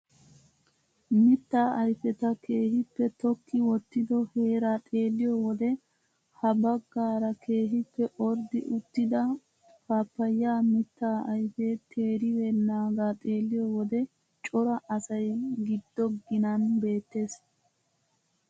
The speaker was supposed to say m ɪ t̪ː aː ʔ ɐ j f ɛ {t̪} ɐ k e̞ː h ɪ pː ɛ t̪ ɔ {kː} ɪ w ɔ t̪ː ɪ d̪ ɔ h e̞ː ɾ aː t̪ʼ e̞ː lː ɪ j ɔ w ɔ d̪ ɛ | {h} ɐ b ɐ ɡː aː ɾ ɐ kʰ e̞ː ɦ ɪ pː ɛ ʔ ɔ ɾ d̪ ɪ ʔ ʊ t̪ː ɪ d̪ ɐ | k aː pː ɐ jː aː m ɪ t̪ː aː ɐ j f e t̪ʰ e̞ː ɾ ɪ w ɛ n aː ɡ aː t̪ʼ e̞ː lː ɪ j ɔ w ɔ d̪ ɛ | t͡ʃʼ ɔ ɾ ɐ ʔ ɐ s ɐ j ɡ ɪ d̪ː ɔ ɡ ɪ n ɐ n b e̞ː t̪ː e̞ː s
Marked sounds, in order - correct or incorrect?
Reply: correct, correct, correct

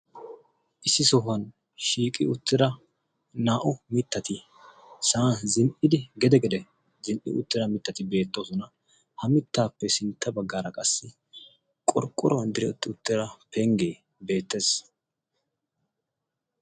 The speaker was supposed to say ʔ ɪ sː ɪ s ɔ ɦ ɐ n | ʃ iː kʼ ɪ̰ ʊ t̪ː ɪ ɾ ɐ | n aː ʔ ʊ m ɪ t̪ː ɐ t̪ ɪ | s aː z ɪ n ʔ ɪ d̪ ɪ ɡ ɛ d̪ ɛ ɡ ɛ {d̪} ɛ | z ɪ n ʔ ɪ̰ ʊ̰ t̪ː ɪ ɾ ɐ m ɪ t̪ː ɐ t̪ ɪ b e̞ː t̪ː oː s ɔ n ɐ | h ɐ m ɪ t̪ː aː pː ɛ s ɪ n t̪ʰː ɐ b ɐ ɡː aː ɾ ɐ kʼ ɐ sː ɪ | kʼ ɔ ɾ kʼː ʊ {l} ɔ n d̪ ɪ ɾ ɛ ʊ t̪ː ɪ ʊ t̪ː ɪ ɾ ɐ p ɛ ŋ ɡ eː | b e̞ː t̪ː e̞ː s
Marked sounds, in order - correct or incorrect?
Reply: correct, incorrect: ɾ

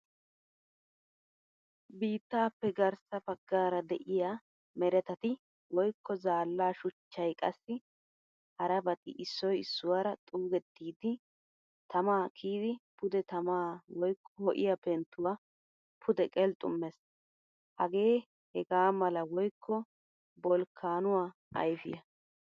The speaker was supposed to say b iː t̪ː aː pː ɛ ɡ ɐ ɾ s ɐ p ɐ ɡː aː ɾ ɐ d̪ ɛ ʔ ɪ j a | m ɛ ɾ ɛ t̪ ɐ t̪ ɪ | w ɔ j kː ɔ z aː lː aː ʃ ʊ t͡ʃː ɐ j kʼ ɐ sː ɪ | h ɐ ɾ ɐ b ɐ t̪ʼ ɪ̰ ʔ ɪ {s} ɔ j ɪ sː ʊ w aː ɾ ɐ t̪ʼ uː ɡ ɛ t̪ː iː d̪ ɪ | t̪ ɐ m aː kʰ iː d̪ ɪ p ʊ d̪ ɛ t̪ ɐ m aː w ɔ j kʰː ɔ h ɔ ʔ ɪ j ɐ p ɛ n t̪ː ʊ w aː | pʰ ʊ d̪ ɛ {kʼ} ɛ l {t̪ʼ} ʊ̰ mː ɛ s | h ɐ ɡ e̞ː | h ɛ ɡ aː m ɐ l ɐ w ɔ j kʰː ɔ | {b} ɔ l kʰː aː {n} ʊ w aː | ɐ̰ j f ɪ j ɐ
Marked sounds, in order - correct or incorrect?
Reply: incorrect: sː, correct, correct, correct, correct

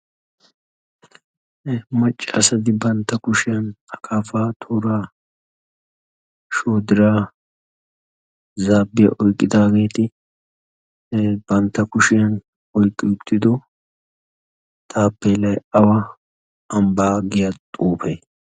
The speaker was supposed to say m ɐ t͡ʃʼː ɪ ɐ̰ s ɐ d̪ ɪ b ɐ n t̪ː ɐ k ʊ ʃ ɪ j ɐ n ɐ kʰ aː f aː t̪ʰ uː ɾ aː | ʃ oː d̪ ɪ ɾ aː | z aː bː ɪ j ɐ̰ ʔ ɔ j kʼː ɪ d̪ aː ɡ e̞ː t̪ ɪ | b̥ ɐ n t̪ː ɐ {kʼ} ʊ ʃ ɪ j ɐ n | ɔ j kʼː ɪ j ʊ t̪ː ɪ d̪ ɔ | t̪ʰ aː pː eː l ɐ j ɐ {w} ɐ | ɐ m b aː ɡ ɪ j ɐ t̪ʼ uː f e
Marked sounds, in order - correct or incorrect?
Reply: incorrect: k, correct

